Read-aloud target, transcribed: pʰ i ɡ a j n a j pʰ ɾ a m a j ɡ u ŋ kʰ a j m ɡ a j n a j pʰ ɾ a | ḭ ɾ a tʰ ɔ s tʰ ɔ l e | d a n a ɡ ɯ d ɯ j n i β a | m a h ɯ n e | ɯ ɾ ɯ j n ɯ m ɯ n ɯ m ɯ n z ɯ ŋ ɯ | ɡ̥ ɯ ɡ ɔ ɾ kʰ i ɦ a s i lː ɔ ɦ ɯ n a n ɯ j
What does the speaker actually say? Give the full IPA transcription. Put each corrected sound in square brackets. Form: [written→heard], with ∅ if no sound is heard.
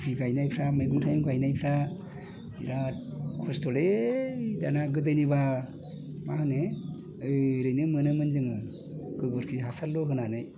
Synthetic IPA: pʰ i ɡ a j n a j pʰ ɾ a m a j ɡ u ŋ [kʰ→tʰ] a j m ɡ a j n a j pʰ ɾ a | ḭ ɾ a [tʰ→kʰ] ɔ s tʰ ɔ l e | d a n a ɡ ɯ d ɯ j n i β a | m a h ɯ n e | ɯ ɾ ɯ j n ɯ m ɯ n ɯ m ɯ n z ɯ ŋ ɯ | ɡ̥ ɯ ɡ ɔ ɾ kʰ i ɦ a s [i→a] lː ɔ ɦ ɯ n a n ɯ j